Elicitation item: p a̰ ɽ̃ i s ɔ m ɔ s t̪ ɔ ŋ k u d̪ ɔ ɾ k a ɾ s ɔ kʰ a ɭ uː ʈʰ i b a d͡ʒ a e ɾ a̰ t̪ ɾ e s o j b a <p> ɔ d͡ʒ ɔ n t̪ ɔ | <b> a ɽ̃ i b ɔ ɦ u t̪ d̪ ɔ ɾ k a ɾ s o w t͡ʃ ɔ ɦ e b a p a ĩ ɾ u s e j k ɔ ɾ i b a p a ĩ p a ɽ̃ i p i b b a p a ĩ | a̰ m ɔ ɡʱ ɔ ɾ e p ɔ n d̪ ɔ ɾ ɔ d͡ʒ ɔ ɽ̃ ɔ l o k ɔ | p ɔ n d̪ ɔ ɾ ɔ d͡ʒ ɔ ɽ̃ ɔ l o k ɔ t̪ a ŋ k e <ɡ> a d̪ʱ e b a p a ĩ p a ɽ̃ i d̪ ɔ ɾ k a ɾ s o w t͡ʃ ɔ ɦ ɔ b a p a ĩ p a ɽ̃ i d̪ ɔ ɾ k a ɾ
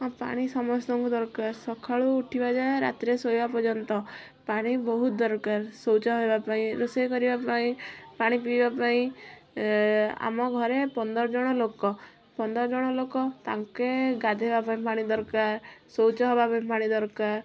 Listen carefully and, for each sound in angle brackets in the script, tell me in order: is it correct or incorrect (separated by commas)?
correct, incorrect, correct